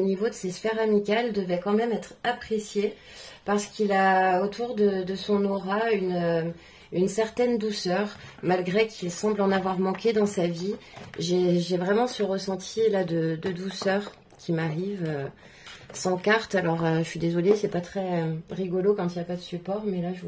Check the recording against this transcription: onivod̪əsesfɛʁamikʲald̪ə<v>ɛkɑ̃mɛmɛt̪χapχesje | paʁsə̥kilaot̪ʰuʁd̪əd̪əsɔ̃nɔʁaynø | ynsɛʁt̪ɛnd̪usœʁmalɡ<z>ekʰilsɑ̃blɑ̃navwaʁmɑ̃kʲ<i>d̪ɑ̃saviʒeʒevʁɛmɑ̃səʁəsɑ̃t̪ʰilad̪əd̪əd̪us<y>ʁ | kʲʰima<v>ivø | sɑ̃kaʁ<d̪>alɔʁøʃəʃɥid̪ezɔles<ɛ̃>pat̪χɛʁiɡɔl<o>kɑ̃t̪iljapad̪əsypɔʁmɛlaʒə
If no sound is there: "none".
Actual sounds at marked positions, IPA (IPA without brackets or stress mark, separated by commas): v, ʁ, e, œ, ʁ, t̪, ɛ, o